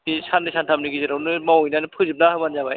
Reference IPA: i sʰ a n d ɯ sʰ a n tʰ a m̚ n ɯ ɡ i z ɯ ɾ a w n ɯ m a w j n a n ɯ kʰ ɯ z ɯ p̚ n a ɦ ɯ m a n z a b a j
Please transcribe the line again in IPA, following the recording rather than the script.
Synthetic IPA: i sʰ a n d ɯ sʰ a n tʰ a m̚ n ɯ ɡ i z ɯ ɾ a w n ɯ m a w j n a n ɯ pʰ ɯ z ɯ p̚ n a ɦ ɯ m a n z a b a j

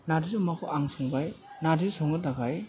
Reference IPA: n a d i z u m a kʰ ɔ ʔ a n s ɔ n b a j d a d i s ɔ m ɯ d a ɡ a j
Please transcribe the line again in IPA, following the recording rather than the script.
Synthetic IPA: n a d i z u m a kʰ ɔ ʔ a ŋ s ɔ ŋ b a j n a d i s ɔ ŋ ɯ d a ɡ a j

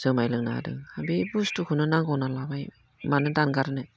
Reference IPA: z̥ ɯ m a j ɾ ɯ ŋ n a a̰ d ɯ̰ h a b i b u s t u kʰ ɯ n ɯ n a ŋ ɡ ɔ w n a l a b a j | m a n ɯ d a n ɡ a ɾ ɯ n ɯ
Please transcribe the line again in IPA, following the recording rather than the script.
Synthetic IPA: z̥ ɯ m a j l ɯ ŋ n a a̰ d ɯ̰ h a b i b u s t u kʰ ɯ n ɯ n a ŋ ɡ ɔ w n a l a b a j | m a n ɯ d a n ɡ a ɾ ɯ n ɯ

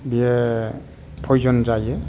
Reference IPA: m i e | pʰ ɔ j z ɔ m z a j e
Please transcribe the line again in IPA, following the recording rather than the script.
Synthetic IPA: b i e | pʰ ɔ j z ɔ n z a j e

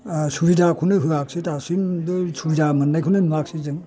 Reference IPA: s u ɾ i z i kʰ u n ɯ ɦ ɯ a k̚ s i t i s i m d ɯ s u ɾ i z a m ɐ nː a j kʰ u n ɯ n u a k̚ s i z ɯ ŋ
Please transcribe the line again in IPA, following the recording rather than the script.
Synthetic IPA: s u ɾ i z a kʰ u n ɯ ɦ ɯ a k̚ s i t a s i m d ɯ s u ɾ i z a m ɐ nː a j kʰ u n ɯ n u a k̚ s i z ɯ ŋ

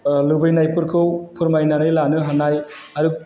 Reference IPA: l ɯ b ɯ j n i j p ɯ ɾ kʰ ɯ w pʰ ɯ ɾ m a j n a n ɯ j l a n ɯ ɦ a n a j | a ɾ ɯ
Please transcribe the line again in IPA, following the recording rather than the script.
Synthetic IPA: l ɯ b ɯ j n a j p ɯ ɾ kʰ ɯ w pʰ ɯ ɾ m a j n a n ɯ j l a n ɯ ɦ a n a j | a ɾ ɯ

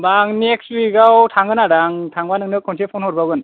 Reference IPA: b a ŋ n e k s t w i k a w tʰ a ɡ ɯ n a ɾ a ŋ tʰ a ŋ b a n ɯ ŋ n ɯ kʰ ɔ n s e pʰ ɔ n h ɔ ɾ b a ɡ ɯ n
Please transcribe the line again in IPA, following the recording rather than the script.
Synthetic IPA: b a ŋ n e k s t w i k a w tʰ a ŋ ɯ n a ɾ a ŋ tʰ a ŋ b a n ɯ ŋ n ɯ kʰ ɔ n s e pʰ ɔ n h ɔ ɾ b a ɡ ɯ n

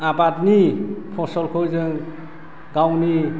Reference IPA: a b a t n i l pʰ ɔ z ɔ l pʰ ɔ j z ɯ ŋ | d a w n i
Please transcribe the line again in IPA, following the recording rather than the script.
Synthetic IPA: a b a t n i pʰ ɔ s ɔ l kʰ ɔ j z ɯ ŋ | ɡ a w n i

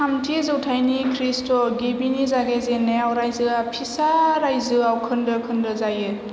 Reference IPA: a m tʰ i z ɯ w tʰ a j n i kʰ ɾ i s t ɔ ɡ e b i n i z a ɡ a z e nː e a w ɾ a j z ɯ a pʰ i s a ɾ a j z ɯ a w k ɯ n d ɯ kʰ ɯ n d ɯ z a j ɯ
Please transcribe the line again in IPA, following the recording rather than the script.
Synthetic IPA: a m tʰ i z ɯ w tʰ a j n i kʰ ɾ i s t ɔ ɡ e b i n i z a ɡ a z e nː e a w ɾ a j z ɯ a pʰ i s a ɾ a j z ɯ a w kʰ ɯ n d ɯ kʰ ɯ n d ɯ z a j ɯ

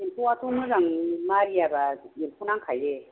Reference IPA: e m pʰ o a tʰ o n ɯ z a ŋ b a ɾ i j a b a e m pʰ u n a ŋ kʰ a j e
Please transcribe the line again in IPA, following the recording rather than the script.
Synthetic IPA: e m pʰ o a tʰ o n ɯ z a ŋ m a ɾ i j a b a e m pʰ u n a ŋ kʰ a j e

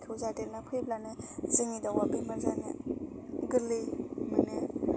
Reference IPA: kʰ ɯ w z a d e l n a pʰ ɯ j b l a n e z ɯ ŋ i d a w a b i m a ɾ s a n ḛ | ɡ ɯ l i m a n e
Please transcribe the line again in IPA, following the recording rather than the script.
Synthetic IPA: kʰ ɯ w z a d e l n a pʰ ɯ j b l a n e z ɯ ŋ i d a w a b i m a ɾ z a n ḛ | ɡ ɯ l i m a n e

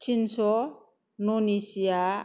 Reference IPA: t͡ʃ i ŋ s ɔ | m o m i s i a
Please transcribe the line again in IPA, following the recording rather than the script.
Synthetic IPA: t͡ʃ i n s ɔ | n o n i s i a

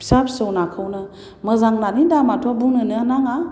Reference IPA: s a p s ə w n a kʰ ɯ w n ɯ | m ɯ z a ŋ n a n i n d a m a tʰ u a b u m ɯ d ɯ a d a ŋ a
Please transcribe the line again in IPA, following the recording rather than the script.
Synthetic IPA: s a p s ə w n a kʰ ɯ w n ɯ | m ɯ z a ŋ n a n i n d a m a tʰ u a b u n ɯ n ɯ a n a ŋ a

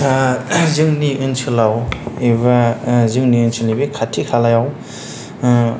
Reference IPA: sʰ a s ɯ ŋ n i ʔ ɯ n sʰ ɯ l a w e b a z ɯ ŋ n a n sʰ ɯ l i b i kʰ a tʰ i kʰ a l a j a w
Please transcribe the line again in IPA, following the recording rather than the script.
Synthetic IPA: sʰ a z ɯ ŋ n i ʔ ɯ n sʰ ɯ l a w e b a z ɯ ŋ n i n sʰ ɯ l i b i kʰ a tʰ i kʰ a l a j a w

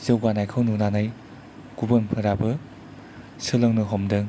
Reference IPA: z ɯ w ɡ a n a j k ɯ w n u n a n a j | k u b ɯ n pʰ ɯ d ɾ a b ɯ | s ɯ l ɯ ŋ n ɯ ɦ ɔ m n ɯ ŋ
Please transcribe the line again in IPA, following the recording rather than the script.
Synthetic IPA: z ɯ w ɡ a n a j kʰ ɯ w n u n a n a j | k u b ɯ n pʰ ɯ ɾ a b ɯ | s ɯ l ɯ ŋ n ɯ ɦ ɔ m d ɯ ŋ

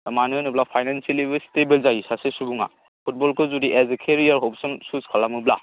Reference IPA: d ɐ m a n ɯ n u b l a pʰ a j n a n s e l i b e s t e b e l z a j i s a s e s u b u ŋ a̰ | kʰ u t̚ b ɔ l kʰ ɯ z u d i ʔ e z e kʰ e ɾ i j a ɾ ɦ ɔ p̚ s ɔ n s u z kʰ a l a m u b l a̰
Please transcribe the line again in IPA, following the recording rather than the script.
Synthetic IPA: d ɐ m a n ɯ n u b l a pʰ a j n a n s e l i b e s t e b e l z a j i s a s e s u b u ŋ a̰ | pʰ u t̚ b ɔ l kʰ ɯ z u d i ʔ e z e kʰ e ɾ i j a ɾ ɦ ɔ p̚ s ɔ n s u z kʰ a l a m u b l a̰

